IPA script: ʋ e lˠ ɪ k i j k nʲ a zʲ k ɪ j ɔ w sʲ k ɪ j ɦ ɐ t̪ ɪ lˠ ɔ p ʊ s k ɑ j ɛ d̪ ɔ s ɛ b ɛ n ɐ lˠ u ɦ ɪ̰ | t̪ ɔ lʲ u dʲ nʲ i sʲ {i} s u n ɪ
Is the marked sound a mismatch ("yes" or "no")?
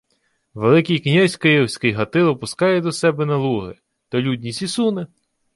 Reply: no